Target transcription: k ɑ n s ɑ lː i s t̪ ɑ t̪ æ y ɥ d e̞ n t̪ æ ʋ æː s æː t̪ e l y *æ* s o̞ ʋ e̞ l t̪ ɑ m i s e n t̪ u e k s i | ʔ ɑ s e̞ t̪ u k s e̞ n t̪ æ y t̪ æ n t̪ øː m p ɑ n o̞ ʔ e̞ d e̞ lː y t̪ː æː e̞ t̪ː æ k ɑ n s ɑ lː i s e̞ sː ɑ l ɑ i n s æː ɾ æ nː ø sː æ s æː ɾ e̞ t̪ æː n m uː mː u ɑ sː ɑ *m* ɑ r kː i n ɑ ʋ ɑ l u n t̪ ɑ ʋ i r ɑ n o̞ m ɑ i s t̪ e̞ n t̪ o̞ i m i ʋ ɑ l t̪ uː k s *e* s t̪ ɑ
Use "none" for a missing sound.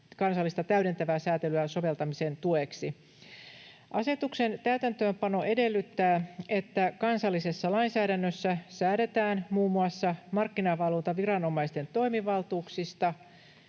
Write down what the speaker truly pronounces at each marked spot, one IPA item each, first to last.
æ, m, i

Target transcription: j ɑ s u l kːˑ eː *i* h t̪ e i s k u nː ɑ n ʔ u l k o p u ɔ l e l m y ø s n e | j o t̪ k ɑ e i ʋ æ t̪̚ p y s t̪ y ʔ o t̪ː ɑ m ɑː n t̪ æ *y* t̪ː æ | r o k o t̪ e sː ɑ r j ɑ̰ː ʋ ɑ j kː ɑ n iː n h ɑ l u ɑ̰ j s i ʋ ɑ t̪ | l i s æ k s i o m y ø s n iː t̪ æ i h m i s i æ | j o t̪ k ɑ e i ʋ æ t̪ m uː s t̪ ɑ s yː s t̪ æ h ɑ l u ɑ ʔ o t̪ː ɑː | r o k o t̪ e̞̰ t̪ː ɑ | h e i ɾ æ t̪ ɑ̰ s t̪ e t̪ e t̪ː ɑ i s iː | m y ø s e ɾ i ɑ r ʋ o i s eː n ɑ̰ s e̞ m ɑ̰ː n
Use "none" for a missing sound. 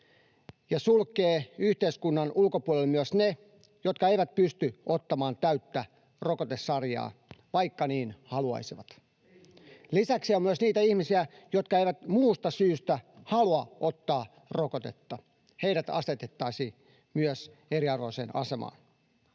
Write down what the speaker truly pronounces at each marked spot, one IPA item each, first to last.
y, y

